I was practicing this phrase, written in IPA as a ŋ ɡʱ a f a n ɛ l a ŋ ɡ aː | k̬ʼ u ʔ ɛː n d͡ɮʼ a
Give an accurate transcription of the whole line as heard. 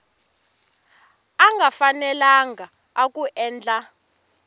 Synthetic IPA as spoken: a ŋ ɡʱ a f a n ɛ l a ŋ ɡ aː | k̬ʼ u ʔ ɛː n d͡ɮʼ a